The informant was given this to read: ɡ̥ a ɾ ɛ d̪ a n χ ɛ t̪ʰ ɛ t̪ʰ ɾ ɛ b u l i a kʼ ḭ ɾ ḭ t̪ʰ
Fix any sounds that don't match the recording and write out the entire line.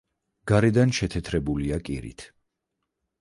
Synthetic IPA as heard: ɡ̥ a ɾ ɛ d̪ a n ʃ ɛ t̪ʰ ɛ t̪ʰ ɾ ɛ b u l i a kʼ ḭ ɾ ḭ t̪ʰ